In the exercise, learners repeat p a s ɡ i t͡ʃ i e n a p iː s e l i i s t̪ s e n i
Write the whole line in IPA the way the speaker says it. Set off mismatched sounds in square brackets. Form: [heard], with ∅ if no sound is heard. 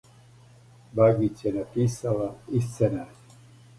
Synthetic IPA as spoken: [b] a [∅] ɡ i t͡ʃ [j] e n a p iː s [a] l [a] i s t̪ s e n [a]